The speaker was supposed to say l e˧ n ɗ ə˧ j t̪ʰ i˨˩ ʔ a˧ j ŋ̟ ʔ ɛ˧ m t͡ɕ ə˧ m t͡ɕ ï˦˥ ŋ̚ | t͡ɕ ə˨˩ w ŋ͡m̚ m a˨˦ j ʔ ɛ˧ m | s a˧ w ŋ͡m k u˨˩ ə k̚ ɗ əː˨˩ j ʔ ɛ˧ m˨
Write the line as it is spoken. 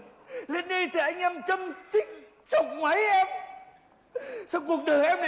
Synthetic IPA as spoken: l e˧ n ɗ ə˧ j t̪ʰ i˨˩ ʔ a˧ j ŋ̟ ʔ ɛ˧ m t͡ɕ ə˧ m t͡ɕ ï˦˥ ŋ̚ | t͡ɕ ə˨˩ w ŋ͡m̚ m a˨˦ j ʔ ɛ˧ m | s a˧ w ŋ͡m k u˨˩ ə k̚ ɗ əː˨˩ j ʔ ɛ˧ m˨